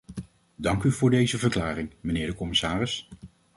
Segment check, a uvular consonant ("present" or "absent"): absent